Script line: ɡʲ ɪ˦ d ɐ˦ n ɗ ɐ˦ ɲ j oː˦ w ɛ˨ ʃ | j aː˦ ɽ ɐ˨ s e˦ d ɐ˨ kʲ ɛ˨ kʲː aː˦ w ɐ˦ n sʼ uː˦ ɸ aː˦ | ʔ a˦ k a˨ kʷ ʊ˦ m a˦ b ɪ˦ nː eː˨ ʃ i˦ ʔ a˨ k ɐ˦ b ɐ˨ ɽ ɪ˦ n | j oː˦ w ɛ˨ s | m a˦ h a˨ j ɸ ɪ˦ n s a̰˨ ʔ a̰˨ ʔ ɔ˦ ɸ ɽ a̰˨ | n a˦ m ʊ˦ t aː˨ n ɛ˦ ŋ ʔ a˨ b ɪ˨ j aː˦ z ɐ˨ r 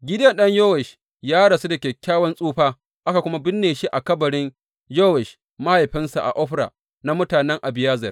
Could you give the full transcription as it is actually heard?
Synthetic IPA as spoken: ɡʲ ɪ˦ d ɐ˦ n ɗ ɐ˦ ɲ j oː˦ w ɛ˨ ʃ | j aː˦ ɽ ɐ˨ s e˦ d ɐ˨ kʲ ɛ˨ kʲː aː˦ w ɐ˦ n sʼ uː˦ ɸ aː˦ | ʔ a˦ k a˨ kʷ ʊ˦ m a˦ b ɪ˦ nː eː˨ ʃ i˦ ʔ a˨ k ɐ˦ b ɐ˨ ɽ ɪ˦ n | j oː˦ w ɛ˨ ʃ | m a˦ h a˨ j ɸ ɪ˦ n s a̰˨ ʔ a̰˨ ʔ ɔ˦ ɸ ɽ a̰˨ | n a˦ m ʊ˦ t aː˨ n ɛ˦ ŋ ʔ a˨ b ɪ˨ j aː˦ z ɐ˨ r

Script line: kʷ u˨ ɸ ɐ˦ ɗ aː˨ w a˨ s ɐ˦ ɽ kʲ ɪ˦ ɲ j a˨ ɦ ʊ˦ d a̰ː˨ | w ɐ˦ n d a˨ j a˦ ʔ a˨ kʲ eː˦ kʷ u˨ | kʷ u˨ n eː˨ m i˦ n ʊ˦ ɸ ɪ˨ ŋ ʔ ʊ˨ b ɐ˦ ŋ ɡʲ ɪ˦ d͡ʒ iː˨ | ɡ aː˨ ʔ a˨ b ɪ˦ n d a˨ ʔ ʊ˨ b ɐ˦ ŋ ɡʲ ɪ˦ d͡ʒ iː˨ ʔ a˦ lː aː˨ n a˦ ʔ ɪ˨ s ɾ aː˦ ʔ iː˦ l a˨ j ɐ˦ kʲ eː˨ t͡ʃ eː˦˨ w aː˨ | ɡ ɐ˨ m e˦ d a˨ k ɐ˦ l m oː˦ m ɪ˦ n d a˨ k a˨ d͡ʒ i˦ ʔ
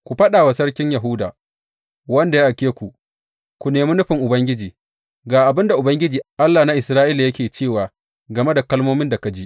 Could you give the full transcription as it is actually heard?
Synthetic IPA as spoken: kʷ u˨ ɸ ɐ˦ ɗ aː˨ w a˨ s ɐ˦ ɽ kʲ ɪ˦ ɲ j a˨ ɦ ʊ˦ d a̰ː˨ | w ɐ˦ n d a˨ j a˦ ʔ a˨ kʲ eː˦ kʷ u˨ | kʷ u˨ n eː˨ m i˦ n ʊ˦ ɸ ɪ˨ ŋ ʔ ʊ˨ b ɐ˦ ŋ ɡʲ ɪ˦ d͡ʒ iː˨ | ɡ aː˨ ʔ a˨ b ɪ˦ n d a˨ ʔ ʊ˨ b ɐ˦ ŋ ɡʲ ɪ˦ d͡ʒ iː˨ ʔ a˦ lː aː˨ n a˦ ʔ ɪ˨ s ɾ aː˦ ʔ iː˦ l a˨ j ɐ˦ kʲ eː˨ t͡ʃ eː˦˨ w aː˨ | ɡ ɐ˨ m e˦ d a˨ k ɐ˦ l m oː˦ m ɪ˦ n d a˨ k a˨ d͡ʒ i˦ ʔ

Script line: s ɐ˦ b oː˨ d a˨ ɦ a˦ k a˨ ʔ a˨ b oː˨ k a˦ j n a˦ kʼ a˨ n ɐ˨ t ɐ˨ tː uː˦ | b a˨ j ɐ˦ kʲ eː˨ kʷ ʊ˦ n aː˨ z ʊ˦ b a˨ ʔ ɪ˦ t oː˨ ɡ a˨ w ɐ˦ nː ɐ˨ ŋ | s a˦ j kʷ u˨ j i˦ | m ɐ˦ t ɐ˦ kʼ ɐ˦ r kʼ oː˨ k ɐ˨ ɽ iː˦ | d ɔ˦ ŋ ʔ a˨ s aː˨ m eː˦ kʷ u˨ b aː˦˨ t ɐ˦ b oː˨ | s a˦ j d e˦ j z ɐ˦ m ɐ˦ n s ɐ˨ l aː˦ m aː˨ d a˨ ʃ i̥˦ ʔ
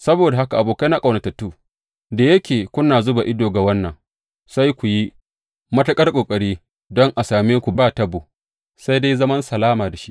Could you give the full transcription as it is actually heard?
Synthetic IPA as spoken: s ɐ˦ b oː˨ d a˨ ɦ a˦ k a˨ ʔ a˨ b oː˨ k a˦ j n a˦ kʼ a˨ n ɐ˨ t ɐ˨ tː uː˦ | d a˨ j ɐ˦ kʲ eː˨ kʷ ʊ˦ n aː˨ z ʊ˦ b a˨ ʔ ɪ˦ d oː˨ ɡ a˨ w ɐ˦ nː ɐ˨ ŋ | s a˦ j kʷ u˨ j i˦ | m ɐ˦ t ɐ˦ kʼ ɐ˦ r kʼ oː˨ kʼ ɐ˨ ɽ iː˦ | d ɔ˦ ŋ ʔ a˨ s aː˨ m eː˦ kʷ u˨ b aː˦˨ t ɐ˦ b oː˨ | s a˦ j d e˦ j z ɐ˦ m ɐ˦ n s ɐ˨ l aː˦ m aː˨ d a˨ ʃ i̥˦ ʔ

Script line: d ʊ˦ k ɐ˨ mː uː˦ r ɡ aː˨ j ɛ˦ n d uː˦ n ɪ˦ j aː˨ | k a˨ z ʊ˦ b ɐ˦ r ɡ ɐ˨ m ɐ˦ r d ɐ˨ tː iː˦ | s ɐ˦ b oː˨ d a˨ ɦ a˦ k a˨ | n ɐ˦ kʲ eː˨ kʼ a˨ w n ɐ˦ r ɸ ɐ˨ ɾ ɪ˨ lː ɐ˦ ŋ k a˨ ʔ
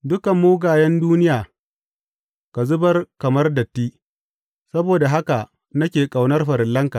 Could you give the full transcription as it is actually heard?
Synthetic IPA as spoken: d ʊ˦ k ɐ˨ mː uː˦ ɡ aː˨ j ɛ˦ n d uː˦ n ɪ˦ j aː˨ | k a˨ z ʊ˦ b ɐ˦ r k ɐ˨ m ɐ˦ r d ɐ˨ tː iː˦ | s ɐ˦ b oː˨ d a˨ ɦ a˦ k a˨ | n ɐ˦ kʲ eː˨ kʼ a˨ w n ɐ˦ r ɸ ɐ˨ ɾ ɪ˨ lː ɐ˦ ŋ k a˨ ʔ

